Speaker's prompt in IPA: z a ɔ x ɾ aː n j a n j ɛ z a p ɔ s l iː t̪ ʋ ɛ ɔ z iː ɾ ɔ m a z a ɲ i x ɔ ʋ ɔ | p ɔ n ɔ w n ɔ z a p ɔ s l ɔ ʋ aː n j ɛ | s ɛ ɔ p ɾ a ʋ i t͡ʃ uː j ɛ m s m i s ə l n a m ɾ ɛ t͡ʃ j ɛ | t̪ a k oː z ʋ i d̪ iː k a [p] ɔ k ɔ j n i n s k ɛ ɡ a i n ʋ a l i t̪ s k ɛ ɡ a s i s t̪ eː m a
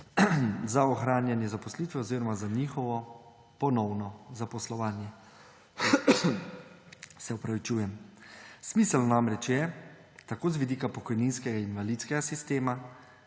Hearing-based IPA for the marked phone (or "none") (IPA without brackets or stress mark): p